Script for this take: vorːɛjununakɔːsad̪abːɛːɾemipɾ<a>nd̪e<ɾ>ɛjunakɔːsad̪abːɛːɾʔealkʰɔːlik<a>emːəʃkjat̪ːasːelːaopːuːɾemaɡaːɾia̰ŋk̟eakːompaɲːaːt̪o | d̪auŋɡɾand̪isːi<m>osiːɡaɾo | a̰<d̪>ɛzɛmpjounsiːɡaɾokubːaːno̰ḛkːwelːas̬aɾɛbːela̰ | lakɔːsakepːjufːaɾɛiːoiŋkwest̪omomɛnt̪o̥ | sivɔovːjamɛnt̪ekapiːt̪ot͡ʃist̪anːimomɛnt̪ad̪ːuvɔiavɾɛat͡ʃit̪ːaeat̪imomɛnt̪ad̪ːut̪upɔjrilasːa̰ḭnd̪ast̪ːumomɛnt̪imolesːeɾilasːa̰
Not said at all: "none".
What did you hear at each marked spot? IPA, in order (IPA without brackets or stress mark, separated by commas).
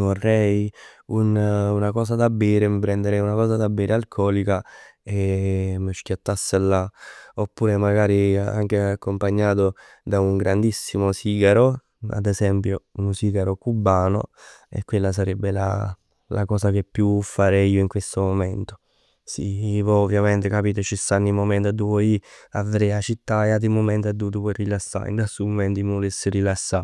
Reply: ɛ, ɾ, a, m, d̪